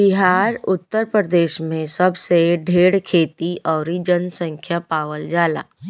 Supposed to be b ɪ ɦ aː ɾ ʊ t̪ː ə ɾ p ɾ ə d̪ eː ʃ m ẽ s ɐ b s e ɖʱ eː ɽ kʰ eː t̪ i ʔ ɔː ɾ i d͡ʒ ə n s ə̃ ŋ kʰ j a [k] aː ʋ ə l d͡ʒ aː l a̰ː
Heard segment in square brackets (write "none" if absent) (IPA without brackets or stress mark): p